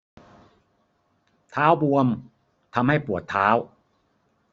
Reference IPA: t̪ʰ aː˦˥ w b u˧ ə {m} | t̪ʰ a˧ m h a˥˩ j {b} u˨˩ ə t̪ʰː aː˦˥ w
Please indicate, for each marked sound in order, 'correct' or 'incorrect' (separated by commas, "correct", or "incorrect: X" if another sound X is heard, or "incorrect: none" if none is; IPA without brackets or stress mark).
correct, incorrect: p